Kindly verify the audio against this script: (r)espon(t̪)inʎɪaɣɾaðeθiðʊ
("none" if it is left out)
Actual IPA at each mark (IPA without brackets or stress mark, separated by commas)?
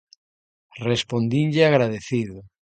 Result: r, d̪